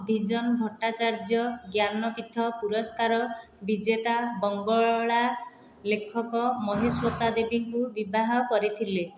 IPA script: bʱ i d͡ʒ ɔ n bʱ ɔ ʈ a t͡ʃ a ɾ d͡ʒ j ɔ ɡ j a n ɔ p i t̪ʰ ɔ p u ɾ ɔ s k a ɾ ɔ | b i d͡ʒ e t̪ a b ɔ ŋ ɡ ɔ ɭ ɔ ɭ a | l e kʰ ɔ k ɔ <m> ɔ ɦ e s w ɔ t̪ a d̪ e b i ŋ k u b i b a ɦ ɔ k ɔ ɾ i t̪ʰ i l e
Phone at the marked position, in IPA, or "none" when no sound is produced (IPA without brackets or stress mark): m